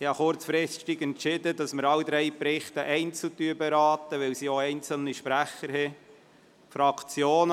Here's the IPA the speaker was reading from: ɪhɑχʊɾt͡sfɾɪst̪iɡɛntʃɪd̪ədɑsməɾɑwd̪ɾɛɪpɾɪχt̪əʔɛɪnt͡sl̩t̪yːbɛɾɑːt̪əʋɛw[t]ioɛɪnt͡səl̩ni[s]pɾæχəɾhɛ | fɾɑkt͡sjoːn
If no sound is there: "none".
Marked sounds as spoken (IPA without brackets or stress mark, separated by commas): s, ʃ